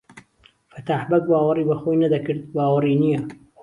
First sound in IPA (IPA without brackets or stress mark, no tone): f